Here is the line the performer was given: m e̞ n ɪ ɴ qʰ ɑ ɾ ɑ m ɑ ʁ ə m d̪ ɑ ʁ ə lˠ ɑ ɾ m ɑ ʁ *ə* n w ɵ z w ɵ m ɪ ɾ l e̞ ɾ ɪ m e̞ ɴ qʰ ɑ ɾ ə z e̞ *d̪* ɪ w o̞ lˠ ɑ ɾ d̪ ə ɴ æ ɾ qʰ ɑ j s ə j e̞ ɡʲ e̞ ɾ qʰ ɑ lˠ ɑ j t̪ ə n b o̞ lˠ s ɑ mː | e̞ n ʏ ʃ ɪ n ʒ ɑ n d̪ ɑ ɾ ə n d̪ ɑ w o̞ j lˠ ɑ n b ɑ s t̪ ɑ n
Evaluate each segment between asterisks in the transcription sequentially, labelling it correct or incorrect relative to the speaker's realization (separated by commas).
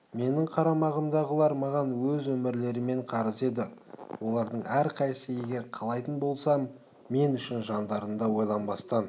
incorrect, correct